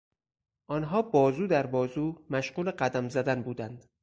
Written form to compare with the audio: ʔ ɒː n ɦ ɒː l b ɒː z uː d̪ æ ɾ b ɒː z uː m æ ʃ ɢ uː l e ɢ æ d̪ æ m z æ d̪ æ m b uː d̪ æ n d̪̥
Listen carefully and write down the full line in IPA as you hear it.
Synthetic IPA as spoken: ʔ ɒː n ɦ ɒː b ɒː z uː d̪ æ ɾ b ɒː z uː m æ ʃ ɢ uː l e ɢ æ d̪ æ m z æ d̪ æ n b uː d̪ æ n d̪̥